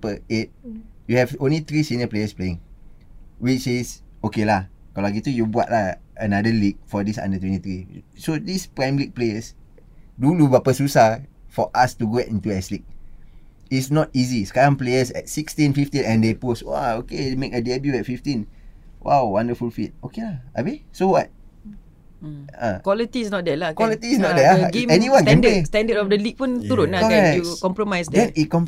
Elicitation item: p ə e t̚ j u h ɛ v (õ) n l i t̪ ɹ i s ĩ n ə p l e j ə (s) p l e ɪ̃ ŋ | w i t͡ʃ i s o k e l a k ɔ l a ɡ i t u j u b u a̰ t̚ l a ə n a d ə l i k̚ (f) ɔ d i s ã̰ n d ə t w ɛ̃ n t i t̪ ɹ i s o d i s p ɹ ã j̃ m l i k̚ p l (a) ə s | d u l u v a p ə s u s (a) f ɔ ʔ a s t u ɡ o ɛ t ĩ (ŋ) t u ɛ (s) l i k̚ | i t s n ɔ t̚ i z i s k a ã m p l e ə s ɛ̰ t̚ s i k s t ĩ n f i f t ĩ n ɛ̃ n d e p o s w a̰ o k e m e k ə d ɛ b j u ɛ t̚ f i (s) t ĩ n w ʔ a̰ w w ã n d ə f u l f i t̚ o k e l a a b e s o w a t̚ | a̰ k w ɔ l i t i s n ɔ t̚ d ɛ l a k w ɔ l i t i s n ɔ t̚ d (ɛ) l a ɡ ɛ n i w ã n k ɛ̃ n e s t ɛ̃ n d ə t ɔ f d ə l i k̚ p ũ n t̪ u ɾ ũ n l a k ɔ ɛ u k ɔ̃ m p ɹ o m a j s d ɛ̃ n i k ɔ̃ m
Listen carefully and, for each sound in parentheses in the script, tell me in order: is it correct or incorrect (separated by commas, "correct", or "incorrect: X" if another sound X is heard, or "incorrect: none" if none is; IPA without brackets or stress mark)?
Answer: correct, correct, correct, incorrect: e, correct, incorrect: n, correct, incorrect: f, correct